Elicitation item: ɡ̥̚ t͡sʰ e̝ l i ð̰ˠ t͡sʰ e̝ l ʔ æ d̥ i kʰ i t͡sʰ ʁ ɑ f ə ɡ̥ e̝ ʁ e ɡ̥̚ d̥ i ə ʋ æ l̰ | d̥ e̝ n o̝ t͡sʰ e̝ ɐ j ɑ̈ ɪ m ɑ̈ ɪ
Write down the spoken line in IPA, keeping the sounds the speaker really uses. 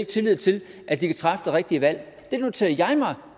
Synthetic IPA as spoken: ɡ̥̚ t͡sʰ e̝ l i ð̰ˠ t͡sʰ e̝ l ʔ æ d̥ i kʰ æ t͡sʰ ʁ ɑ f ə d̥ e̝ ʁ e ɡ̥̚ d̥ i ə ʋ æ l̰ | d̥ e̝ n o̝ t͡sʰ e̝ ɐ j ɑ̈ ɪ m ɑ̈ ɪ